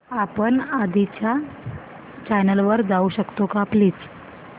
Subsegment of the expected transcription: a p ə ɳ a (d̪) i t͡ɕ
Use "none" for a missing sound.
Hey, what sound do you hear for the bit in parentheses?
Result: d̪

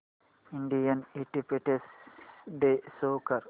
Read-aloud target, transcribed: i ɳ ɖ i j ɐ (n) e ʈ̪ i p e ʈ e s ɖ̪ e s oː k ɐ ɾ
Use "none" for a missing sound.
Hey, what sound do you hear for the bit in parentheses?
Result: n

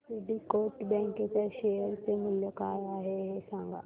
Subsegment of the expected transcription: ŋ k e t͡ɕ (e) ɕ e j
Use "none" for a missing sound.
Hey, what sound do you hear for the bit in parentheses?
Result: a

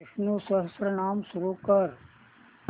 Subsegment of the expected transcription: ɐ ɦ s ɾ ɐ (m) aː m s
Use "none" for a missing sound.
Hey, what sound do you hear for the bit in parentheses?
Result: n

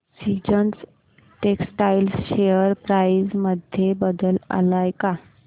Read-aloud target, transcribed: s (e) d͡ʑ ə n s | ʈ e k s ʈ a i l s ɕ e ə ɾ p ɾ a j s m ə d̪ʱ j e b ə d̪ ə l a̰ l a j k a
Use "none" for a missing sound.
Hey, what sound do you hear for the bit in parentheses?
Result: i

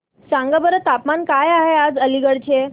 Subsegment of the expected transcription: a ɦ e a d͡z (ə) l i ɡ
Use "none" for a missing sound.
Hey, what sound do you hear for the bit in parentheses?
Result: ə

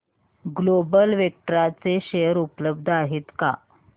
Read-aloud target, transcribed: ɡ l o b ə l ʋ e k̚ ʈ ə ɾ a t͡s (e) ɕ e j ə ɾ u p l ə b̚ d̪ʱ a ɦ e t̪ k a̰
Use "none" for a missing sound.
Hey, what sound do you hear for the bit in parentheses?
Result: e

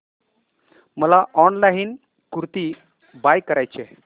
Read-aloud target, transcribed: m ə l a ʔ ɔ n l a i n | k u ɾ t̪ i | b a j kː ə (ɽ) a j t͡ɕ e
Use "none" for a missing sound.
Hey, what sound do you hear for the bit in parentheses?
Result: ɾ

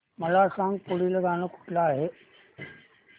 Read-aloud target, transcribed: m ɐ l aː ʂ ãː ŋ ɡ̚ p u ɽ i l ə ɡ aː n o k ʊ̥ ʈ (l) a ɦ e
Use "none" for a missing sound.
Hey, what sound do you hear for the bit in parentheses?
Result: l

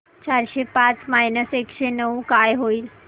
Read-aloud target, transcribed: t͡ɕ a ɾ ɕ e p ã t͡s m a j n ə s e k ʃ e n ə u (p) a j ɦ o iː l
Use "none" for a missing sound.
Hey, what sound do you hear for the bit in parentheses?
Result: k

